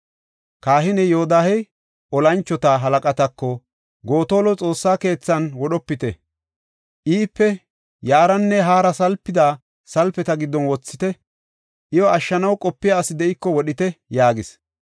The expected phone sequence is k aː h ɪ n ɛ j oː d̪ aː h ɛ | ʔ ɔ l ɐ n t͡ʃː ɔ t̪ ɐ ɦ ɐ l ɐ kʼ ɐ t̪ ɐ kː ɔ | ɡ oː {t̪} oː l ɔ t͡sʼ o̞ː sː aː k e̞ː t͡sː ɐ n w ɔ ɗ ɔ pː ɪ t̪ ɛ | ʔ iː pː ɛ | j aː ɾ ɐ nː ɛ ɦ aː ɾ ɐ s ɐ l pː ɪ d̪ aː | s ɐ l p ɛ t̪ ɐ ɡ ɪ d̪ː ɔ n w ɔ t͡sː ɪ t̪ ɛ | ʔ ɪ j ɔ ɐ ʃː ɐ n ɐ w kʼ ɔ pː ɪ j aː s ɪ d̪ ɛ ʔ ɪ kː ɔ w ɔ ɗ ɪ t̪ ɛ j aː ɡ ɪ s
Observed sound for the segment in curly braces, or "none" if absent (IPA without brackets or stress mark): t̪